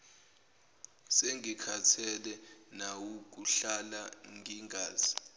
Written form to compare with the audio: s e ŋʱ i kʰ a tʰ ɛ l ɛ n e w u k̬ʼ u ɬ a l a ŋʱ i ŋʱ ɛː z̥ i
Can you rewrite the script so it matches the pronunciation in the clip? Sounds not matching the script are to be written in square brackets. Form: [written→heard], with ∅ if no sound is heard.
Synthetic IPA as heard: s e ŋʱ i kʰ a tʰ ɛ l ɛ n [e→a] w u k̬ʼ u ɬ a l a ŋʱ i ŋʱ [ɛː→aː] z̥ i

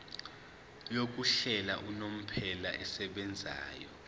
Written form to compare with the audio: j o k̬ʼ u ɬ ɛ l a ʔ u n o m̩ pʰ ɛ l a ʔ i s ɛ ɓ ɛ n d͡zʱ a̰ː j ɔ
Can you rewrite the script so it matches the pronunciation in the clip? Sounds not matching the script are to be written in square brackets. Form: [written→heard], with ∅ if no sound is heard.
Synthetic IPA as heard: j o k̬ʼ u ɬ ɛ l a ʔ u n o m̩ pʰ ɛ l a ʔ [i→ɛ] s ɛ ɓ ɛ n d͡zʱ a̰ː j ɔ

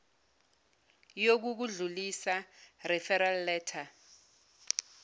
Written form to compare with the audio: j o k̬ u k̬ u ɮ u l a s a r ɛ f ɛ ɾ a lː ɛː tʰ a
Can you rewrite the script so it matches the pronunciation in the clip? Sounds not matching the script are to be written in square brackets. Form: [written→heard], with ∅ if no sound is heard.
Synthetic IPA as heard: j o k̬ u k̬ u ɮ u l [a→i] s a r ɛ f ɛ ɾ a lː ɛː tʰ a

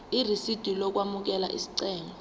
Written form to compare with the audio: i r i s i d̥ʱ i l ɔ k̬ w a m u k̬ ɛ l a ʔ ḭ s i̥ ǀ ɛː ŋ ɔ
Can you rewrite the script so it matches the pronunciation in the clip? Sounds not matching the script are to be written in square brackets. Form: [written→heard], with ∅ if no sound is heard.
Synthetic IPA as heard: i r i s i d̥ʱ i l ɔ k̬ w a m u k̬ ɛ l a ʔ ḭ s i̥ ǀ ɛː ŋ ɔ

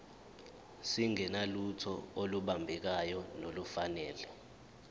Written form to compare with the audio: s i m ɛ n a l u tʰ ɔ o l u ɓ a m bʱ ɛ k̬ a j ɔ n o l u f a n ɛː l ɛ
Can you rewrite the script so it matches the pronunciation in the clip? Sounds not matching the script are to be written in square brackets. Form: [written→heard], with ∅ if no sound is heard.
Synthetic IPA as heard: s i [m→ŋ] ɛ n a l u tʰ ɔ o l u ɓ a m bʱ ɛ k̬ a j ɔ n o l u f a n ɛː l ɛ

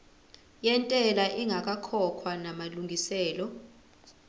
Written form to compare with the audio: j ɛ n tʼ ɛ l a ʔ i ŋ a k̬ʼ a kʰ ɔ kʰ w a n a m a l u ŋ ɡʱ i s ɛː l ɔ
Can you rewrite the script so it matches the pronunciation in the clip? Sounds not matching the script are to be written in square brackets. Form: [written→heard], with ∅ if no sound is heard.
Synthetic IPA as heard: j ɛ n tʼ ɛ l a ʔ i ŋ a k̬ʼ a kʰ ɔ kʰ w a n a m a l u ŋ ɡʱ i s ɛː l ɔ

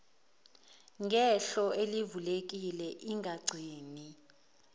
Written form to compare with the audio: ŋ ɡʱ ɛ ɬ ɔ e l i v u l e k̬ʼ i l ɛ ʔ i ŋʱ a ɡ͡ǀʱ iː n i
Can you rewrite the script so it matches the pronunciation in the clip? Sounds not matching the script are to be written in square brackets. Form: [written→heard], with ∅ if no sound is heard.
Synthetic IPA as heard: ŋ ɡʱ ɛ ɬ ɔ e l i v u l e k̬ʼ i l ɛ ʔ i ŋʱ a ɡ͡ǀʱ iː n i

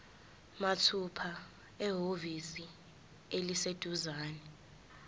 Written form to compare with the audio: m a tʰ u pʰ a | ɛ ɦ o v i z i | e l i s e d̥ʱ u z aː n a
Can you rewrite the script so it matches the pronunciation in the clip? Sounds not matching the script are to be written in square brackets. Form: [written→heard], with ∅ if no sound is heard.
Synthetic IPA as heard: m a tʰ u pʰ a | ɛ ɦ o v i [z→s] i | e l i s e d̥ʱ u z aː n [a→ɛ]

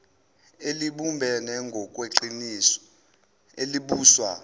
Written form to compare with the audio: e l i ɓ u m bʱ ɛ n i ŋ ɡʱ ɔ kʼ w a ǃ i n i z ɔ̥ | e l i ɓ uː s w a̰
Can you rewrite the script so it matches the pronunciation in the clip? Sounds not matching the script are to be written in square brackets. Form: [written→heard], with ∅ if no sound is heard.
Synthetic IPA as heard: e l i ɓ u m bʱ ɛ n [i→ɛ] ŋ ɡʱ ɔ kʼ w [a→e] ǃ i n i [z→s] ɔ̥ | e l i ɓ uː s w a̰

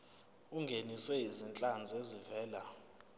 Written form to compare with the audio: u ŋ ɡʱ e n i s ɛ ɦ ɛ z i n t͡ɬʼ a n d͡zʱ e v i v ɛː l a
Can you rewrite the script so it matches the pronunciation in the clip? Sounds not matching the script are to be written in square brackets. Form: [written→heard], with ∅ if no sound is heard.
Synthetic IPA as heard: u ŋ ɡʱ e n i s ɛ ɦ [ɛ→i] z i n t͡ɬʼ a n d͡zʱ e [v→z] i v ɛː l a

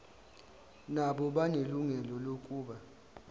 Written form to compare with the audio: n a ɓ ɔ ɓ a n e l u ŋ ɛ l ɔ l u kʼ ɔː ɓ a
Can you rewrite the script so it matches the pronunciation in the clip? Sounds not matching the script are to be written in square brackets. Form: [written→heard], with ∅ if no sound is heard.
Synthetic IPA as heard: n a ɓ ɔ ɓ a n e l u ŋ ɛ l ɔ l [u→o] kʼ [ɔː→uː] ɓ a

